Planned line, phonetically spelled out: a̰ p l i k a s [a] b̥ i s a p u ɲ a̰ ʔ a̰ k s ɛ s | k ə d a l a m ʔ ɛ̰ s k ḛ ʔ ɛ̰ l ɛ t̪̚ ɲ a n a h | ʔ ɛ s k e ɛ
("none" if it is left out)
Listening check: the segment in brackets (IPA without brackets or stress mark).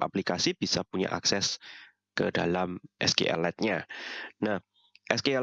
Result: i